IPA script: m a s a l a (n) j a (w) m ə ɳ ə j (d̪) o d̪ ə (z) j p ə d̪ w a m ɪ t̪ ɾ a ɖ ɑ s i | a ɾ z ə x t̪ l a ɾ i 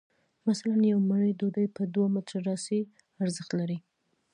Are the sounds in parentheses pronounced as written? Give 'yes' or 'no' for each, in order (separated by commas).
yes, yes, yes, no